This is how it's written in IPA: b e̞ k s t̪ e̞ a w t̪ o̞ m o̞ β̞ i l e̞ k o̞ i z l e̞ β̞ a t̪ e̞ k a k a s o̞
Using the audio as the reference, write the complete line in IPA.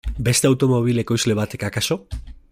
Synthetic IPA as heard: b e̞ s t̪ e̞ a w t̪ o̞ m o̞ β̞ i l e̞ k o̞ j z l e̞ β̞ a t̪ e̞ k a k a s o̞

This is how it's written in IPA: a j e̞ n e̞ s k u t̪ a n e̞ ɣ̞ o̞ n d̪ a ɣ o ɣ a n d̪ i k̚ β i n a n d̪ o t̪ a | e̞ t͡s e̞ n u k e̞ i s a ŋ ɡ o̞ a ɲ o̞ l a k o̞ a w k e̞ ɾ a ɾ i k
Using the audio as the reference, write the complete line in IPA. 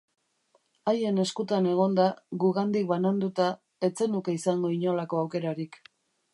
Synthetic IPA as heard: a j e̞ n e̞ s k u t̪ a n e̞ ɣ̞ o̞ n d̪ a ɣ u ɣ a n d̪ i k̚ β a n a n d̪ u t̪ a | e̞ t͡s e̞ n u k e̞ i s a ŋ ɡ o̞ i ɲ o̞ l a k o̞ a w k e̞ ɾ a ɾ i k

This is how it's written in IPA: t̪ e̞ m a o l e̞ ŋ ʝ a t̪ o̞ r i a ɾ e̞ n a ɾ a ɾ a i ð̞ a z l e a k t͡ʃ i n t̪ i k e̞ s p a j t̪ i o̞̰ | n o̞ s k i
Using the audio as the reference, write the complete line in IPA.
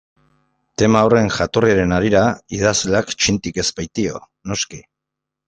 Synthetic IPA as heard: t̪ e̞ m a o r e̞ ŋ ʝ a t̪ o̞ r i a ɾ e̞ n a ɾ i ɾ a i ð̞ a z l e a k t͡ʃ i n t̪ i k e̞ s p a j t̪ i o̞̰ | n o̞ s k i

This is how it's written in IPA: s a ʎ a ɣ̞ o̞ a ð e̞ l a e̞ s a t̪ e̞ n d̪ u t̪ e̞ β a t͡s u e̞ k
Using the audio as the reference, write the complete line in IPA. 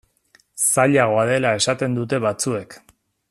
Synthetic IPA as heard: s a ʎ a ɣ̞ o̞ a ð e̞ l a e̞ s a t̪ e̞ n d̪ u t̪ e̞ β a t͡s u e̞ k

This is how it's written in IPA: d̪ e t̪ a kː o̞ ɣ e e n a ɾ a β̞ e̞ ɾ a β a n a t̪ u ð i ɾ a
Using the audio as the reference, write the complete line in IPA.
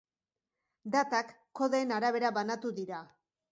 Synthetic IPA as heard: d̪ a t̪ a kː o̞ ð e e n a ɾ a β̞ e̞ ɾ a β a n a t̪ u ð i ɾ a

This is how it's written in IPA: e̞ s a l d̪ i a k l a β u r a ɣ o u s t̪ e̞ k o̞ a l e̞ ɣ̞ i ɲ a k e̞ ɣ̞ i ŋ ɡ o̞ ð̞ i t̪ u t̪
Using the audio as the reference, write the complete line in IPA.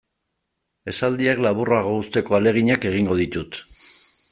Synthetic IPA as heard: e̞ s a l d̪ i a k l a β u r a ɣ o u s t̪ e̞ k o̞ a l e̞ ɣ̞ i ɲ a k e̞ ɣ̞ i ŋ ɡ o̞ ð̞ i t̪ u t̪

